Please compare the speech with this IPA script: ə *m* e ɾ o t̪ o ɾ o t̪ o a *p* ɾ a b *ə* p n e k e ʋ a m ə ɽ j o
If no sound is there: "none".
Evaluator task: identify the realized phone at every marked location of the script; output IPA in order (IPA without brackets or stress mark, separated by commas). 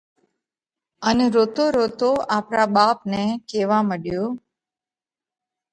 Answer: n, p, a